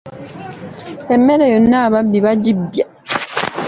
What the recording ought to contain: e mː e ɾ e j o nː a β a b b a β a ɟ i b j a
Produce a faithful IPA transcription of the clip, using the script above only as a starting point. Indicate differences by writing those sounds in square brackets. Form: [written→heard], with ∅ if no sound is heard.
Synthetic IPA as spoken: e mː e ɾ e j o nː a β a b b [a→i] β a ɟ i b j a